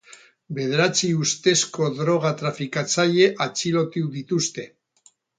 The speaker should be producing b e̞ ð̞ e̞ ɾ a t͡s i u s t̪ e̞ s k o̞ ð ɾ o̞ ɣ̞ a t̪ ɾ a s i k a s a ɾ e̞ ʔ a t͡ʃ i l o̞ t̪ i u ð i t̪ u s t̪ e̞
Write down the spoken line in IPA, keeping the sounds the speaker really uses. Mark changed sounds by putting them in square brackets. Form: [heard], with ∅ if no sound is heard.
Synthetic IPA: b e̞ ð̞ e̞ ɾ a t͡s i u s t̪ e̞ s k o̞ ð ɾ o̞ ɣ̞ a t̪ ɾ a [f] i k a [t͡s] a [ʎ] e̞ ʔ a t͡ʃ i l o̞ t̪ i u ð i t̪ u s t̪ e̞